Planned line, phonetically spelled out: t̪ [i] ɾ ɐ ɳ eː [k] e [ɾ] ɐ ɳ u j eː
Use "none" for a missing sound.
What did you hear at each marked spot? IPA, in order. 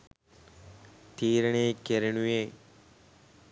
iː, k, ɾ

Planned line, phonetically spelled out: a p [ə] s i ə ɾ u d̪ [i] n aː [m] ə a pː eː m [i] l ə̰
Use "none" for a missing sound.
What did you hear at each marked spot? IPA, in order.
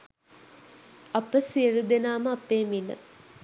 ə, e, m, i

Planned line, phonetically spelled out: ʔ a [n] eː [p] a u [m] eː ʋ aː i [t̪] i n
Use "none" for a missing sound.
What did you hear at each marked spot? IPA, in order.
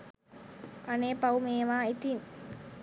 n, p, m, t̪

